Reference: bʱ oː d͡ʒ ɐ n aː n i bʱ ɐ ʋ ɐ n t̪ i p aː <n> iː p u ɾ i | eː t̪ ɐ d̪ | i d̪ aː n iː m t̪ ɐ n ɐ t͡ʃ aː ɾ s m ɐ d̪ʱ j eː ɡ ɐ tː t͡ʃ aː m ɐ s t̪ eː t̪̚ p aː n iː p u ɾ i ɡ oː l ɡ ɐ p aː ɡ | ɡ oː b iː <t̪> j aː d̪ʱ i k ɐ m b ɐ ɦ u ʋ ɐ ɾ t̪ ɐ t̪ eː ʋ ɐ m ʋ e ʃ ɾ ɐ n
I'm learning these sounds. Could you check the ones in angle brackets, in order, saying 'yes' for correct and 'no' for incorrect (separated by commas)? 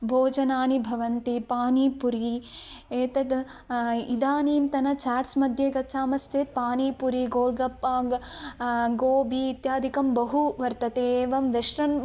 yes, yes